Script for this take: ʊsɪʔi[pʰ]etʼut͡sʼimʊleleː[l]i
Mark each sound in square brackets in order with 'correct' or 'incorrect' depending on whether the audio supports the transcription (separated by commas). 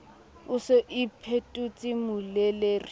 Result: correct, incorrect